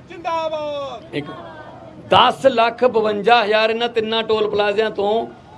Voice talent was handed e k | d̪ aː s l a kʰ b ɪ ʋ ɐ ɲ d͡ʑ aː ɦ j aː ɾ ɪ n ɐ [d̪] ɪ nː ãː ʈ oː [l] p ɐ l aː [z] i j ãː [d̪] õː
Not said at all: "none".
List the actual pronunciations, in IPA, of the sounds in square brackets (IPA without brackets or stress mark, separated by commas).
t̪, l, z, t̪